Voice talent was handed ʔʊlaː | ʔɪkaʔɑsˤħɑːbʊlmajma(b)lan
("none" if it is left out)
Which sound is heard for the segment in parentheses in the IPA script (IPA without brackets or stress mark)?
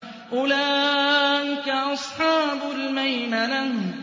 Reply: none